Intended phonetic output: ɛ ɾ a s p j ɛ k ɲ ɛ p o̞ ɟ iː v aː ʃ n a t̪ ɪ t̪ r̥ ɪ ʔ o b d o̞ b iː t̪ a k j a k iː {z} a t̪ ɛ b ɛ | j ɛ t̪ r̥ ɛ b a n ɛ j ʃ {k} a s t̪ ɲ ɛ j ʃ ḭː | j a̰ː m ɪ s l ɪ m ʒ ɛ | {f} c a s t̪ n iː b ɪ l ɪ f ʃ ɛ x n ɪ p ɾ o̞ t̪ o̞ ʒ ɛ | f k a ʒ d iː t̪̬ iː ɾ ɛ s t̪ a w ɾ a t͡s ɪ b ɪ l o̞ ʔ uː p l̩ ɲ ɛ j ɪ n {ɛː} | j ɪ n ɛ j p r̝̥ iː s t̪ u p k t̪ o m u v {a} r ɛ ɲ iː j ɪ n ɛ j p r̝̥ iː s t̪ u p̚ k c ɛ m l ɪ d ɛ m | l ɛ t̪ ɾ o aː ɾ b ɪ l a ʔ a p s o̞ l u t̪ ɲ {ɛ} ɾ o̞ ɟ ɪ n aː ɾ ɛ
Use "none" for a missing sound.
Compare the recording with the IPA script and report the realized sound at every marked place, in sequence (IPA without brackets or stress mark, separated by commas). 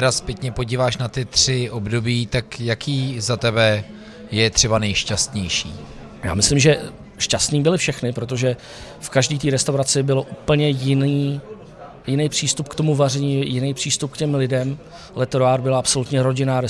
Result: z, c, ʃ, iː, a, ɛ